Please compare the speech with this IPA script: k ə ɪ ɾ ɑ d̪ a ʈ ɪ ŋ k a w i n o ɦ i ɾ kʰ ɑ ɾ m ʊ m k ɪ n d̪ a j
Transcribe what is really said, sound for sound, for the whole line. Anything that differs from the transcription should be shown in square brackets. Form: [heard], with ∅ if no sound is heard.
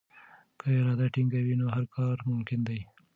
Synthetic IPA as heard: k ə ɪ ɾ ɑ d̪ a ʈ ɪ ŋ [ɡ] a w i n o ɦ [a] ɾ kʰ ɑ ɾ m ʊ m k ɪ n d̪ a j